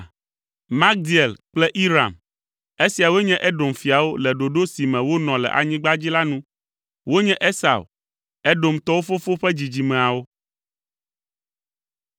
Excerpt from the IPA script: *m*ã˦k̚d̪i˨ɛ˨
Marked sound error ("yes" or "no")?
no